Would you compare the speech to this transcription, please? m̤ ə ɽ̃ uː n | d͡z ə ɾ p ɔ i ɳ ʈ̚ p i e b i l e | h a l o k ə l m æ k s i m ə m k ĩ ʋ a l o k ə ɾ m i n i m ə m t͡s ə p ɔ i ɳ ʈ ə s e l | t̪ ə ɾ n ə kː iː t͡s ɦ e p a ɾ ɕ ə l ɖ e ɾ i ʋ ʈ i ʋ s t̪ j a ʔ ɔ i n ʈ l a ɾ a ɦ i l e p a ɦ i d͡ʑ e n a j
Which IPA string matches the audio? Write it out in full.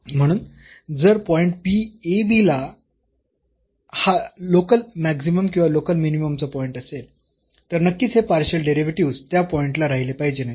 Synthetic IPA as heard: m̤ ə ɽ̃ uː n | d͡z ə ɾ p ɔ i ɳ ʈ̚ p i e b i l a | h a l o k ə l m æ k s i m ə m k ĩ ʋ a l o k ə l m i n i m ə m t͡s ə p ɔ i ɳ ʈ ə s e l | t̪ ə ɾ n ə kː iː t͡s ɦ e p a ɾ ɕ ə l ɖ e ɾ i ʋ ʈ i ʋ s t̪ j a p ɔ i ɳ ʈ l a ɾ a ɦ i l e p a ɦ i d͡ʑ e n a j